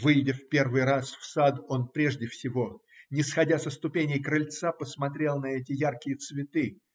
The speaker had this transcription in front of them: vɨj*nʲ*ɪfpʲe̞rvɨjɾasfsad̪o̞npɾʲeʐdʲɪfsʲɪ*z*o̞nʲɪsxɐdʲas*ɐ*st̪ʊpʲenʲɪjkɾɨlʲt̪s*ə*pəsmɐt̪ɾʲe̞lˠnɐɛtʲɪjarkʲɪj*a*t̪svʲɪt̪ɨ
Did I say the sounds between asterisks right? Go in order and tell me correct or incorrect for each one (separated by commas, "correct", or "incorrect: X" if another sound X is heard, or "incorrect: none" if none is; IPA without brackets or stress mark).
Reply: incorrect: dʲ, incorrect: v, incorrect: ə, incorrect: a, incorrect: ə